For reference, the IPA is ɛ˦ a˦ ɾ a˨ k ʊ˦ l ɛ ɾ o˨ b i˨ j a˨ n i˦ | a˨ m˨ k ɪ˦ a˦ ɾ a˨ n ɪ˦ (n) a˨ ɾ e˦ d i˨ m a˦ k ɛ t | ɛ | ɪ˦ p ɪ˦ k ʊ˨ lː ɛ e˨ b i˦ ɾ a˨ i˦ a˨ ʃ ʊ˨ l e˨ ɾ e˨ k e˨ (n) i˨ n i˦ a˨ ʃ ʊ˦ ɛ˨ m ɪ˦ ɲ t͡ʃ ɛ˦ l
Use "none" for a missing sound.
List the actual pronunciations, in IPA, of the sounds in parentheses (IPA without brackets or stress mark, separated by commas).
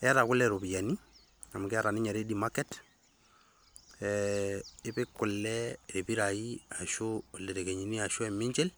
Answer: ɲ, ɲ